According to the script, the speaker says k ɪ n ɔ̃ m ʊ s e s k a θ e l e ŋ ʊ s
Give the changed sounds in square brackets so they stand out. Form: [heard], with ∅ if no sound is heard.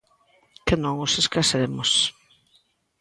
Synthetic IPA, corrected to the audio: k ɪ n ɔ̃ [ŋ] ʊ s e s k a [s] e [ɾ] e [m] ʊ s